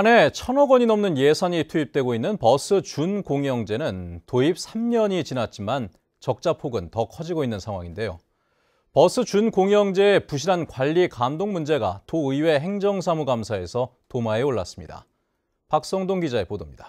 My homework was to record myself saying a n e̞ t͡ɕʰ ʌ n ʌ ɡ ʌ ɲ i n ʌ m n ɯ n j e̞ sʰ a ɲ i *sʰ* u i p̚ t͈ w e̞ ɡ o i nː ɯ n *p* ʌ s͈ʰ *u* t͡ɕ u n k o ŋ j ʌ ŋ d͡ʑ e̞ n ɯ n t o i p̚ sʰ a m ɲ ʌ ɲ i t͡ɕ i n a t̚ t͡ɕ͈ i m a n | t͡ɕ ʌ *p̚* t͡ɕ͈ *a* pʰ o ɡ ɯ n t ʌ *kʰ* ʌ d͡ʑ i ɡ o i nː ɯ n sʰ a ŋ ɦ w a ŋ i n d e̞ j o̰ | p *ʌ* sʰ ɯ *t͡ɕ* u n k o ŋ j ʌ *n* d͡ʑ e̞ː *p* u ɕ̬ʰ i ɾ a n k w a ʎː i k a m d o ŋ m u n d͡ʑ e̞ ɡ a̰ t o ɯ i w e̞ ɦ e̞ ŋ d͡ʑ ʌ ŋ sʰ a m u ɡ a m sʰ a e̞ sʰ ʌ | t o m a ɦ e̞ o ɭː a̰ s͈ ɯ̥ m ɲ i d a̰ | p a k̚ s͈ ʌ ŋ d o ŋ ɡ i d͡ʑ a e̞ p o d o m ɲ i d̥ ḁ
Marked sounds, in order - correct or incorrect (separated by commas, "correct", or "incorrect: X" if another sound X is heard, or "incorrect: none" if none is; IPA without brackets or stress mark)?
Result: incorrect: tʰ, correct, incorrect: ɯ, incorrect: k̚, correct, correct, correct, correct, incorrect: ŋ, correct